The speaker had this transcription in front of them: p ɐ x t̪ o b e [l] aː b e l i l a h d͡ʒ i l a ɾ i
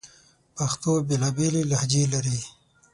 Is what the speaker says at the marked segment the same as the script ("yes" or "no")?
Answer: yes